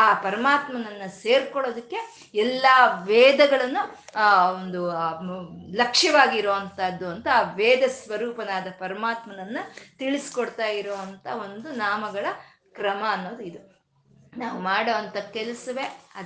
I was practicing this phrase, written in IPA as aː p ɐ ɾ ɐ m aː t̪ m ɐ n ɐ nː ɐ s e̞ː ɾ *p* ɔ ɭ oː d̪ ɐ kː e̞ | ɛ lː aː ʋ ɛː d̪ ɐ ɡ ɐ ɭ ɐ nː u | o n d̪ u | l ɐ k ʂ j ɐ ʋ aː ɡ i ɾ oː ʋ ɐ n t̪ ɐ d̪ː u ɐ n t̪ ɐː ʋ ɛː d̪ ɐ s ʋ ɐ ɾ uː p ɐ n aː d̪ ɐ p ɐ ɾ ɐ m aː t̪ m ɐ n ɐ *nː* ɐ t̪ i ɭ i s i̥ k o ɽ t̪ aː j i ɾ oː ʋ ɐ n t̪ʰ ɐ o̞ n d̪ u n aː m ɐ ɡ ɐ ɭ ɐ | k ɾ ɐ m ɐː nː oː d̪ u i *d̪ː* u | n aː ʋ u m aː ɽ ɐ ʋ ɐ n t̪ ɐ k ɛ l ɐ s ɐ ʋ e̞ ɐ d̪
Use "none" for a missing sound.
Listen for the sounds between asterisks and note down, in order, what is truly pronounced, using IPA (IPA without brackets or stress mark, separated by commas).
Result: k, nː, d̪